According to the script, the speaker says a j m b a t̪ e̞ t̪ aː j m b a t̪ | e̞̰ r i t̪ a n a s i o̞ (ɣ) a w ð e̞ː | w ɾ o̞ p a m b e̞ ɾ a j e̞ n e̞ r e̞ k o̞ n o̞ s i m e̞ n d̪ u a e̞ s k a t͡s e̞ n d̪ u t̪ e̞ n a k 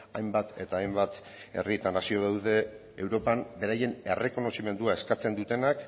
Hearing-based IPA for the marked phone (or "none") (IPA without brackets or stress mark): ð